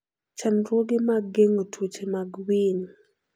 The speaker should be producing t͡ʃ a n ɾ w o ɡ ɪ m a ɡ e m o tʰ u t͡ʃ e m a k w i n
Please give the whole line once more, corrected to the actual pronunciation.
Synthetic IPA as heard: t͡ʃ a n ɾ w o ɡ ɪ m a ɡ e ŋ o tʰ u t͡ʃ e m a ɡ w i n

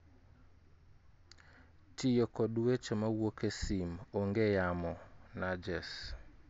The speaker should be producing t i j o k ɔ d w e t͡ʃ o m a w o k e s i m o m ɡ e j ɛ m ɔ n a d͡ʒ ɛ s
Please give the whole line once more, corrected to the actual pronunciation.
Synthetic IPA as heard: t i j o k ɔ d w e t͡ʃ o m a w o k e s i m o ŋ ɡ e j a m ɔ n a d͡ʒ ɛ s

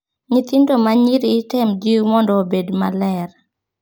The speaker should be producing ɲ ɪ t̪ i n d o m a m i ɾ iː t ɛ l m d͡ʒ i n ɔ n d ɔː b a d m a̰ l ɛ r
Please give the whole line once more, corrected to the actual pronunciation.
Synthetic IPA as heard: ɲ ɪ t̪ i n d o m a ɲ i ɾ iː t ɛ m d͡ʒ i m ɔ n d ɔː b e d m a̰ l ɛ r

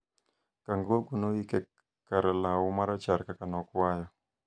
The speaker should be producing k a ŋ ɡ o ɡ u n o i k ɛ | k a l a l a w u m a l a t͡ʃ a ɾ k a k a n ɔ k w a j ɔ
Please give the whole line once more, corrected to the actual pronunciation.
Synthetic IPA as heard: k a ŋ ɡ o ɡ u n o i k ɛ | k a ɾ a l a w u m a ɾ a t͡ʃ a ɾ k a k a n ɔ k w a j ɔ

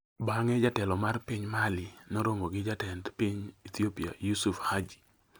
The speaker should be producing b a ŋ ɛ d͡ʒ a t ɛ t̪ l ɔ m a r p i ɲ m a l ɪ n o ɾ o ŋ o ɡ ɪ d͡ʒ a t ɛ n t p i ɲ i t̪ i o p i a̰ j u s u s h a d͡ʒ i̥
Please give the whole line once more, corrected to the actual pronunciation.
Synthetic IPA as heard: b a ŋ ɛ d͡ʒ a t ɛ l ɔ m a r p i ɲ m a l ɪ n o ɾ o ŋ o ɡ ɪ d͡ʒ a t ɛ n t p i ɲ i t̪ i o p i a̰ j u s u f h a d͡ʒ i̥

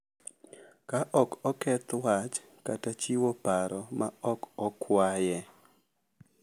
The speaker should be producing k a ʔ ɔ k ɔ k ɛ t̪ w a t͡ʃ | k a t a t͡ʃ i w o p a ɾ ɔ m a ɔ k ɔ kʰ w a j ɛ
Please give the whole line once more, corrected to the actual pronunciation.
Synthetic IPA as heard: k a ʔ ɔ k ɔ k ɛ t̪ w a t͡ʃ | k a t a t͡ʃ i w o p a ɾ ɔ m a ɔ k ɔ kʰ w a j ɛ

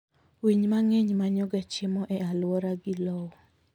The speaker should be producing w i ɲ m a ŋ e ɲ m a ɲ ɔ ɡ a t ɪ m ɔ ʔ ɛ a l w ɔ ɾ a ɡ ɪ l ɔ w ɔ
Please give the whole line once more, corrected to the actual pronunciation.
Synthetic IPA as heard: w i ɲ m a ŋ e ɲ m a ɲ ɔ ɡ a t͡ʃ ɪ m ɔ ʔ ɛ a l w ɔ ɾ a ɡ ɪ l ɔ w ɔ

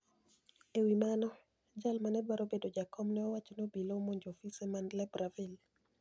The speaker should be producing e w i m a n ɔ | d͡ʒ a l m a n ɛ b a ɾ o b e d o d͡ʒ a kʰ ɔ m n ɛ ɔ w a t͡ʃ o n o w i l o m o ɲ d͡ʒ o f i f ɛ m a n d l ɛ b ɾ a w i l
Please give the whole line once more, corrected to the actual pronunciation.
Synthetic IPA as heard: e w i m a n ɔ | d͡ʒ a l m a n ɛ b a ɾ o b e d o d͡ʒ a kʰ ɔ m n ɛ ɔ w a t͡ʃ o n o b i l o m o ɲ d͡ʒ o f i s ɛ m a n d l ɛ b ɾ a v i l

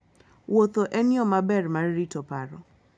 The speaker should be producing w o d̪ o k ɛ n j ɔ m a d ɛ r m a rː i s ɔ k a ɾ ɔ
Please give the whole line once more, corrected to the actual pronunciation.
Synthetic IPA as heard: w o t̪ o ʔ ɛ n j ɔ m a b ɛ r m a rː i t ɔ p a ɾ ɔ

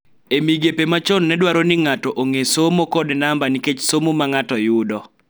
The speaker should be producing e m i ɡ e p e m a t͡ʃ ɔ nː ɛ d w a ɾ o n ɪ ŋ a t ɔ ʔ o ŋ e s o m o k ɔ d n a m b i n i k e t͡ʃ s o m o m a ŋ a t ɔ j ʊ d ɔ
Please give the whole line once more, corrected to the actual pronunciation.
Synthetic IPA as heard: e m i ɡ e p e m a t͡ʃ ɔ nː ɛ d w a ɾ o n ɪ ŋ a t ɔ ʔ o ŋ e s o m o k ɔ d n a m b a n i k e t͡ʃ s o m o m a ŋ a t ɔ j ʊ d ɔ

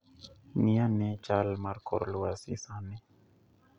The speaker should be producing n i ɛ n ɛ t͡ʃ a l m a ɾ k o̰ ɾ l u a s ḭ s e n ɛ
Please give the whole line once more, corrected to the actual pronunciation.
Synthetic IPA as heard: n i a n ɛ t͡ʃ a l m a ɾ k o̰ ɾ l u a s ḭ s a n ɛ

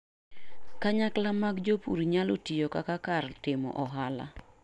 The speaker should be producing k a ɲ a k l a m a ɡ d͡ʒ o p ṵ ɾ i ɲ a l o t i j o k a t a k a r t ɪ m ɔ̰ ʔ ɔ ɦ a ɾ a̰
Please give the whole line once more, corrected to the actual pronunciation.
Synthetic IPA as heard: k a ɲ a k l a m a ɡ d͡ʒ o p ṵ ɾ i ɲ a l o t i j o k a k a k a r t ɪ m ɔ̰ ʔ ɔ ɦ a l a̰

